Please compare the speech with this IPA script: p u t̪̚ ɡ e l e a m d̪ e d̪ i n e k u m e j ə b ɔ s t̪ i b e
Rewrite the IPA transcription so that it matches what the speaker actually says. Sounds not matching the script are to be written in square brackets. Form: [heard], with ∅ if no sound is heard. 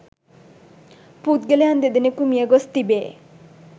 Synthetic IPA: p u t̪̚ ɡ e l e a [n] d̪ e d̪ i n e k u m [i] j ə [ɡ] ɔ s t̪ i b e